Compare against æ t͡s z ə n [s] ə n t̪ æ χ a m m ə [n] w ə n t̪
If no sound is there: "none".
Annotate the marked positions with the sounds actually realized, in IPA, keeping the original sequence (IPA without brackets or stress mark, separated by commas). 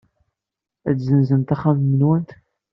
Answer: z, n